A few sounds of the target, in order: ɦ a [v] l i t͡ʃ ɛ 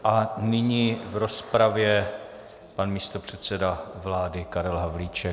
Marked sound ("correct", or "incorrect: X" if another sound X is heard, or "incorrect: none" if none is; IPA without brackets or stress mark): correct